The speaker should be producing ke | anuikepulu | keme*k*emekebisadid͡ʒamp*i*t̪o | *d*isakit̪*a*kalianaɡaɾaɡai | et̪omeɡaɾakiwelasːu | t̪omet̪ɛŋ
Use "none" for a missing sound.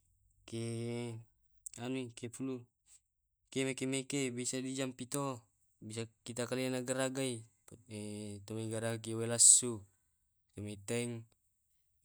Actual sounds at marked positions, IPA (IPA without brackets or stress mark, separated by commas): k, i, b, a